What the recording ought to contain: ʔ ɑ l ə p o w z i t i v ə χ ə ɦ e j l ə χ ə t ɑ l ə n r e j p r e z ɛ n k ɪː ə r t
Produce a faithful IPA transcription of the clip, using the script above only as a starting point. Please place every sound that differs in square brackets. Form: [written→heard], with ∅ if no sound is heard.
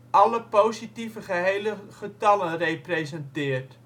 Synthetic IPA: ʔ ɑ l ə p o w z i t i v ə χ ə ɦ e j l ə χ ə t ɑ l ə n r e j p r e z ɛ n [k→t] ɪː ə r t